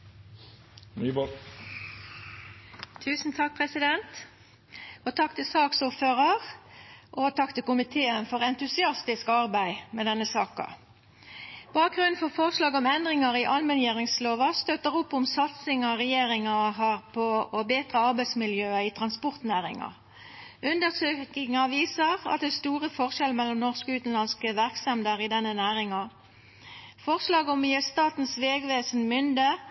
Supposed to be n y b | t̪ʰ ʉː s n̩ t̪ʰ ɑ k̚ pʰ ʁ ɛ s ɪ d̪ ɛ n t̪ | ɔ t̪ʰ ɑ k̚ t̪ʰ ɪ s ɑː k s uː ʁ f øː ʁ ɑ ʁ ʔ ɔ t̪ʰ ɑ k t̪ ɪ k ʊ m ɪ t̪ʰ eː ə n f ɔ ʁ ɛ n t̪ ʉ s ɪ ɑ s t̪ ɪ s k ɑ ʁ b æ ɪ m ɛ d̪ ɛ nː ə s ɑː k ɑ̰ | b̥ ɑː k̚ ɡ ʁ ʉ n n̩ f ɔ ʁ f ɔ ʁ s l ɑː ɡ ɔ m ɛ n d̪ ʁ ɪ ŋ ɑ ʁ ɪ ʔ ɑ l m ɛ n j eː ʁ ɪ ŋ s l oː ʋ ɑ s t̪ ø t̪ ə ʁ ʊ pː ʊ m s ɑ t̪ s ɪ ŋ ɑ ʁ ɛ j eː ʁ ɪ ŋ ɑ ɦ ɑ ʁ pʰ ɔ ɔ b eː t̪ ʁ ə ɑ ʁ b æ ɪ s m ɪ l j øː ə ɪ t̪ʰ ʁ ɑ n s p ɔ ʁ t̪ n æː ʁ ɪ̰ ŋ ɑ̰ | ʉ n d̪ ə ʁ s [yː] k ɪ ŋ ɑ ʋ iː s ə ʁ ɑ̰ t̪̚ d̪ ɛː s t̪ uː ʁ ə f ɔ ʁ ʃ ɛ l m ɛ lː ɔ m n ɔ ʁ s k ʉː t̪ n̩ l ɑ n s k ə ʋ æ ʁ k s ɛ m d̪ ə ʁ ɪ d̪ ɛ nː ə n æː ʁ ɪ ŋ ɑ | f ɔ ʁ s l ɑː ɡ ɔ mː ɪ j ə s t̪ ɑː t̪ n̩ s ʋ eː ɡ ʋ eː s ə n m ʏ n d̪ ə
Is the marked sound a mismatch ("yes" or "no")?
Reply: yes